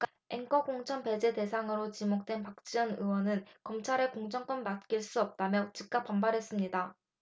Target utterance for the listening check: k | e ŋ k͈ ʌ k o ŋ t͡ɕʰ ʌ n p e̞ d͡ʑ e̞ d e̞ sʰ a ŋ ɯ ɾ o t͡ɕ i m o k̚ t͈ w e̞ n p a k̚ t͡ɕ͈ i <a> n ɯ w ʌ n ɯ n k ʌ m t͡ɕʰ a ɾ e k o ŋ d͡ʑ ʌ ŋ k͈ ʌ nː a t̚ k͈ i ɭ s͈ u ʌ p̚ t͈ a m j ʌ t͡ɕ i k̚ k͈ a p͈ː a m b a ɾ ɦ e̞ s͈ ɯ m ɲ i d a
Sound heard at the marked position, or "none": ʌ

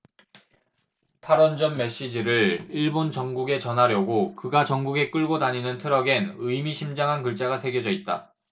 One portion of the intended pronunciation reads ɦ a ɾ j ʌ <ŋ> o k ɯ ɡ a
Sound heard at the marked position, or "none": ɡ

